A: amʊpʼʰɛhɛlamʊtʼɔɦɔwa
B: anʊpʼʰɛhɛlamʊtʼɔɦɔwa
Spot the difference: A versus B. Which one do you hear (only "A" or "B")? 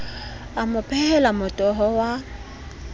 A